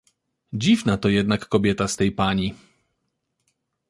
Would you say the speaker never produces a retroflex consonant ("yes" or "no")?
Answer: yes